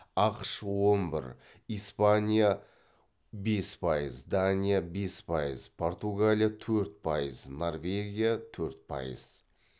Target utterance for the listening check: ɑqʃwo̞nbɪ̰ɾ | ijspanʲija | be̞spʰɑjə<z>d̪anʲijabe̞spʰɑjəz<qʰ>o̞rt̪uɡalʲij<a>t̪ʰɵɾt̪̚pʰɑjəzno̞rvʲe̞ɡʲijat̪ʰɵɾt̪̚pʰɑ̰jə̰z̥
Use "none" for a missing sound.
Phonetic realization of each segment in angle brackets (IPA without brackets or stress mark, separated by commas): z, pʰ, a